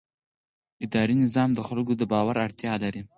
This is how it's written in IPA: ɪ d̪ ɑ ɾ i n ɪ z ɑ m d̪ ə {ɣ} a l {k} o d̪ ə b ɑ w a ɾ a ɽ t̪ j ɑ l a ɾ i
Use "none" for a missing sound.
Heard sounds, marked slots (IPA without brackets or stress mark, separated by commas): x, ɡ